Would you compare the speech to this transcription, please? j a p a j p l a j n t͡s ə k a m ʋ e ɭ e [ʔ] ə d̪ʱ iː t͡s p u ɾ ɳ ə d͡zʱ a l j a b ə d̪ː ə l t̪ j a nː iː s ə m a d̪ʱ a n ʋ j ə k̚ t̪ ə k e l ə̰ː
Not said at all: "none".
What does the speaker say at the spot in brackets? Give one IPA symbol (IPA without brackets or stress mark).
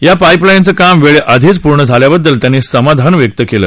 ʔ